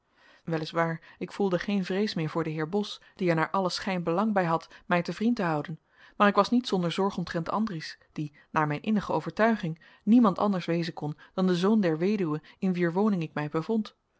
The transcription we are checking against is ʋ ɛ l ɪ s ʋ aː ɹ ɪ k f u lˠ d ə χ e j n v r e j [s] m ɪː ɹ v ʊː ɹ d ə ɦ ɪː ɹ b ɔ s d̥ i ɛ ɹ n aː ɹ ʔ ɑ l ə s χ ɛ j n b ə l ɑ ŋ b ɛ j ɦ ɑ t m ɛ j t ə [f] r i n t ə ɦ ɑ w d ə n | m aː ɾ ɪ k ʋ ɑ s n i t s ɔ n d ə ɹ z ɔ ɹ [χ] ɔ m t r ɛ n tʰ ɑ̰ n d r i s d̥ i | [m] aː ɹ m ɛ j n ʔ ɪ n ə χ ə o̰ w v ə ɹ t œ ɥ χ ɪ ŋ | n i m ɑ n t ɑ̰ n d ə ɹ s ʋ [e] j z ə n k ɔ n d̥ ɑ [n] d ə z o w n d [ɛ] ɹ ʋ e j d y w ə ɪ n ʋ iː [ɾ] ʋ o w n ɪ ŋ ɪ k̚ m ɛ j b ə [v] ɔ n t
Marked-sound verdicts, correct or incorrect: correct, incorrect: v, correct, incorrect: n, correct, correct, correct, incorrect: ɹ, correct

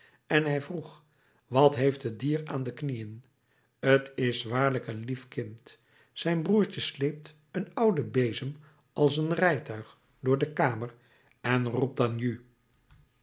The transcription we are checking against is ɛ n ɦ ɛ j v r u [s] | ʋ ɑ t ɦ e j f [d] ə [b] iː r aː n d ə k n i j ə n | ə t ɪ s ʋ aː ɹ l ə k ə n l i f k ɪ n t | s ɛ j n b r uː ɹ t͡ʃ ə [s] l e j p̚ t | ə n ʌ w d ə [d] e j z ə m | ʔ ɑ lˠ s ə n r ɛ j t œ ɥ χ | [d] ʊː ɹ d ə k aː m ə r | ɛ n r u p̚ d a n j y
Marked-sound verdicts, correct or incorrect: incorrect: χ, incorrect: t, incorrect: d, correct, incorrect: b, correct

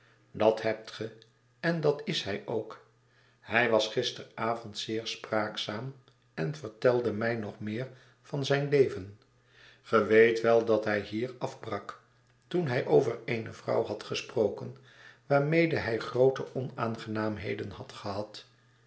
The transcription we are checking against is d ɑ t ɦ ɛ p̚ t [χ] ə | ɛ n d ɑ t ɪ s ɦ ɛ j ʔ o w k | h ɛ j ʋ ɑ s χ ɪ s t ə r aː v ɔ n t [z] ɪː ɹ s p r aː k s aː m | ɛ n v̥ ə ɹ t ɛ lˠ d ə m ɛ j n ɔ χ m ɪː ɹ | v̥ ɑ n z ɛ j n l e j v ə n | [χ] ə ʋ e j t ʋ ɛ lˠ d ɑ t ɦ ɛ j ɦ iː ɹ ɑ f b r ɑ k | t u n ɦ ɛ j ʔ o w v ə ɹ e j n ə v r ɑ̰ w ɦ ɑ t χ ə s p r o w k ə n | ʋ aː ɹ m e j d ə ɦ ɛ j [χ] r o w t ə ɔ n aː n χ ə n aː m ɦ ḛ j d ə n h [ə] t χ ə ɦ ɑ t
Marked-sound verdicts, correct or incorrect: correct, incorrect: s, correct, correct, incorrect: ɑ

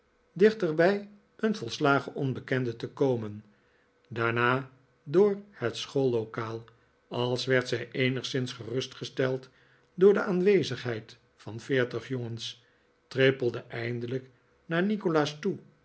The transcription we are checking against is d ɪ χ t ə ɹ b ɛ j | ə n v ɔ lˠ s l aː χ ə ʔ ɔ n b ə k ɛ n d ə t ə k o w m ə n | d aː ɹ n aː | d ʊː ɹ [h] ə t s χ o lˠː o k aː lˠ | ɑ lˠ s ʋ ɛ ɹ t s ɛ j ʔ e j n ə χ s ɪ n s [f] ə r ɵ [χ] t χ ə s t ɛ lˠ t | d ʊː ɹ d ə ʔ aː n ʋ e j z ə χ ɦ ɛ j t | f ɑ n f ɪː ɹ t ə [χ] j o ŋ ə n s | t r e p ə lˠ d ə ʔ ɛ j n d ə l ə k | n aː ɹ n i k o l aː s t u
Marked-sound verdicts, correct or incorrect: correct, incorrect: χ, incorrect: s, correct

